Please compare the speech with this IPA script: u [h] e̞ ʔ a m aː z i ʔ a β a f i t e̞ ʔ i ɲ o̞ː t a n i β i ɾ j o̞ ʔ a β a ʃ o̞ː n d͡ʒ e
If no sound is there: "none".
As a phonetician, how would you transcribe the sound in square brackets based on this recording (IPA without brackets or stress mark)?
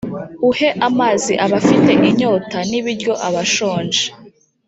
h